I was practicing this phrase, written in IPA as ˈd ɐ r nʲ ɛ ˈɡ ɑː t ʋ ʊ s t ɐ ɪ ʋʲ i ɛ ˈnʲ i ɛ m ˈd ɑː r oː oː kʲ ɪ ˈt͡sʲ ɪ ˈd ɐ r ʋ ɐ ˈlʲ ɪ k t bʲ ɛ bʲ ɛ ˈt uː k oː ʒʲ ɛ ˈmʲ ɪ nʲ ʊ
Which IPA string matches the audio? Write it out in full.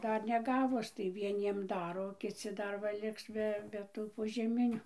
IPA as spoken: ˈd ɐ r nʲ ɛ ˈɡ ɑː ʋ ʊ s t ɐ ɪ ʋʲ i ɛ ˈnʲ i ɛ m ˈd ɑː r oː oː kʲ ɪ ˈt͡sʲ ɪ ˈd ɐ r ʋ ɐ ˈlʲ ɪ k s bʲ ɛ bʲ ɛ ˈt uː p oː ʒʲ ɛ ˈmʲ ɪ nʲ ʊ